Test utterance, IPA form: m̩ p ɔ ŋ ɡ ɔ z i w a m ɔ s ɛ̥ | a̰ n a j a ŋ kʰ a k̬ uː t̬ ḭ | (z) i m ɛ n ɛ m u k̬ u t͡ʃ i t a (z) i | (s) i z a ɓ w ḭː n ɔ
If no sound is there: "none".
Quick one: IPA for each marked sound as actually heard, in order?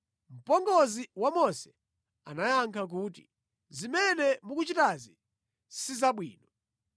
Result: z, z, s

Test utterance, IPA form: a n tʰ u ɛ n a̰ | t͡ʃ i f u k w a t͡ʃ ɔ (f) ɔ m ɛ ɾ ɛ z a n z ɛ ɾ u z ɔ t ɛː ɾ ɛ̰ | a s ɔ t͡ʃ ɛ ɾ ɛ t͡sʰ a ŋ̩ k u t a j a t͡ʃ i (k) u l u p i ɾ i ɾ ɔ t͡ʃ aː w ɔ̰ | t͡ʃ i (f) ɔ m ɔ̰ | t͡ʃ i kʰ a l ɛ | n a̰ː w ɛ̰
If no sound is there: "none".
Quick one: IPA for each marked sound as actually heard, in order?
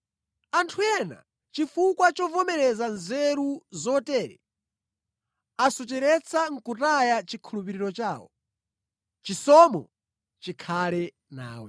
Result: v, kʰ, s

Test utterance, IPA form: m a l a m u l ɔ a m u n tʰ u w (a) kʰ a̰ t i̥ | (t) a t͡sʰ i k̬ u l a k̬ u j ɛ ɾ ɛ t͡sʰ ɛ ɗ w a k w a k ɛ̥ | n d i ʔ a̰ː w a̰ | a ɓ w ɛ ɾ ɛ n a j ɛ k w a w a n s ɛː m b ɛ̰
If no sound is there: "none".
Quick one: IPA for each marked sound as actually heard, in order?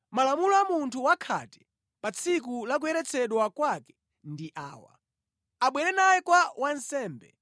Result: a, p

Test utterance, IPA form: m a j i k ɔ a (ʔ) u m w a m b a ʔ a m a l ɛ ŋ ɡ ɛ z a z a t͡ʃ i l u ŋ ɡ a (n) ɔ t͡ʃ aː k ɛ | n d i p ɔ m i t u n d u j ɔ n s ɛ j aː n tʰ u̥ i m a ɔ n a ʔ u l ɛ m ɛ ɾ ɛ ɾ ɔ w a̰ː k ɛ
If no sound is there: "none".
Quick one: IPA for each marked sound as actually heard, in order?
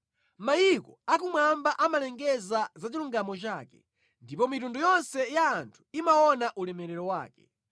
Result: k, m

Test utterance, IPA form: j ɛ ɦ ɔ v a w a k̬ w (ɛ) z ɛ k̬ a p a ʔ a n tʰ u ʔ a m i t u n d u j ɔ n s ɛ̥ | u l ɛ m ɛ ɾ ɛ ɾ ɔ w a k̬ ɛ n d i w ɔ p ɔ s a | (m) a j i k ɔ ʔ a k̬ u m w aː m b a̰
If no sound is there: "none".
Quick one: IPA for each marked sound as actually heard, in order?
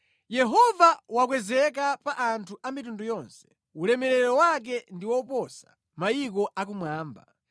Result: ɛ, m

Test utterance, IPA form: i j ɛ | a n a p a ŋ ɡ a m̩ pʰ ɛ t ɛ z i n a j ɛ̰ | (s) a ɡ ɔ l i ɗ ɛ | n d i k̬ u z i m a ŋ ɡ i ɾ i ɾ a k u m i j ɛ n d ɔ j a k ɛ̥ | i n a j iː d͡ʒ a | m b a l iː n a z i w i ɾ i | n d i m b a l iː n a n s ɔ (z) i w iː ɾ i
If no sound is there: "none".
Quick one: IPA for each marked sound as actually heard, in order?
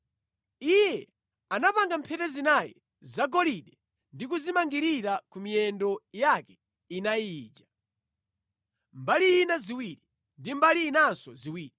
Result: z, z

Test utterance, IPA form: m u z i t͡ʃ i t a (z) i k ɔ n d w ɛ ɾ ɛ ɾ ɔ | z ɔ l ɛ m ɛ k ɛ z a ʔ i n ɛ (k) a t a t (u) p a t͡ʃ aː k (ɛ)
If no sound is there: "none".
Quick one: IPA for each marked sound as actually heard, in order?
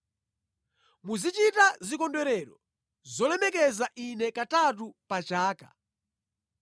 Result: z, k, u, a

